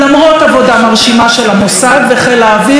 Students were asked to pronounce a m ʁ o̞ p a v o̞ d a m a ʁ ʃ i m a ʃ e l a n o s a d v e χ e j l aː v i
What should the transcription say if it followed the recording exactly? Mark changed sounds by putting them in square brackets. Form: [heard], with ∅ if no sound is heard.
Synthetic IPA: a m ʁ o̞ [t] a v o̞ d a m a ʁ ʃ i m a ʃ e l a [m] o s a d v e χ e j l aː v i